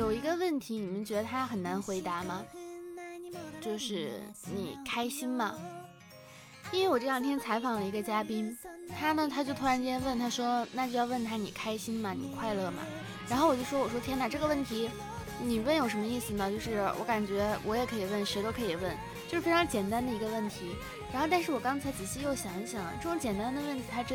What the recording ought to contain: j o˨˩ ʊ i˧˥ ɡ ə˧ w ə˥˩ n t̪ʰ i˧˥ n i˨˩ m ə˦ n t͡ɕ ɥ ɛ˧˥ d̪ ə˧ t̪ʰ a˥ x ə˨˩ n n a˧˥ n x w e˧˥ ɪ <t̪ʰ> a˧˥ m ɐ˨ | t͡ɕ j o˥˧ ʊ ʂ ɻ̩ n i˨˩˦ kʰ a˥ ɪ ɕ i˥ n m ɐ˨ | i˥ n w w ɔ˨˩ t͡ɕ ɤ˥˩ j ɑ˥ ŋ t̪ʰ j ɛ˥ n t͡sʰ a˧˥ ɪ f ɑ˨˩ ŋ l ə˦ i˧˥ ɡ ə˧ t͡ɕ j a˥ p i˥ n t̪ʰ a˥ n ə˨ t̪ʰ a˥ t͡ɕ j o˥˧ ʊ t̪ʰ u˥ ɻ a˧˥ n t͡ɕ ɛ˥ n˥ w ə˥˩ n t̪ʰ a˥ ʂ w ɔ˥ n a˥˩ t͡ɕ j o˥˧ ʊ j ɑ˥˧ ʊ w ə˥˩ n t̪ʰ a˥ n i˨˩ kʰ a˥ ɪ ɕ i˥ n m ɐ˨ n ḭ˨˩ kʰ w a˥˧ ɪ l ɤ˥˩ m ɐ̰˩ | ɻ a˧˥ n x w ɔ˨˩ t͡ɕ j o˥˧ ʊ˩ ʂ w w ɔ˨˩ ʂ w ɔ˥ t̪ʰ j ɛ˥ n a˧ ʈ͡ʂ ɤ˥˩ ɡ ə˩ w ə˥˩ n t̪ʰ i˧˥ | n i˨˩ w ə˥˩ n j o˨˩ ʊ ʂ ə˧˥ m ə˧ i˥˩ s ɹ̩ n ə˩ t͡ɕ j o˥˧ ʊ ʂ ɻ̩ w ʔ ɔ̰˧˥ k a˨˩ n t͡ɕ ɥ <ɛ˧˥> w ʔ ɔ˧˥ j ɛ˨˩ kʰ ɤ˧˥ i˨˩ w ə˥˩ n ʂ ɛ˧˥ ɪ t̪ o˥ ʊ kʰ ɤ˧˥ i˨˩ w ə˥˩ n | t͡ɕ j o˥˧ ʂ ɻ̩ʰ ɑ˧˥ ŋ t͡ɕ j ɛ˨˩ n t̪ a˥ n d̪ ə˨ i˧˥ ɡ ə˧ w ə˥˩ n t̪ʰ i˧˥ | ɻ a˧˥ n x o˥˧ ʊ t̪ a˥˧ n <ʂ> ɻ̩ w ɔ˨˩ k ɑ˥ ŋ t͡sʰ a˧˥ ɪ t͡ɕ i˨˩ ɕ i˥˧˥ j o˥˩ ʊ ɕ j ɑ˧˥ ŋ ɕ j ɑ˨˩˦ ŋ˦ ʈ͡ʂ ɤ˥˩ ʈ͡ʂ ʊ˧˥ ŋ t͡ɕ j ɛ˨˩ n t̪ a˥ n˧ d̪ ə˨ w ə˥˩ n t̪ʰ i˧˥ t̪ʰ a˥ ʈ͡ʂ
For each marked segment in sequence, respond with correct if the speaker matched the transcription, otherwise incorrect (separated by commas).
incorrect, correct, correct